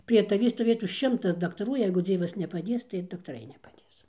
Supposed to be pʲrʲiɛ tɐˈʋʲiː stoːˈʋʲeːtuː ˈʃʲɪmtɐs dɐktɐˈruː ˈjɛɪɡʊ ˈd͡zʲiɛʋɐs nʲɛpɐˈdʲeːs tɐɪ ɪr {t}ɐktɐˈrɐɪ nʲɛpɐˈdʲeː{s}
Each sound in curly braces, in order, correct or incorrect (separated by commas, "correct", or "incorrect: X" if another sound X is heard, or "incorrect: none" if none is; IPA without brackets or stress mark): incorrect: d, correct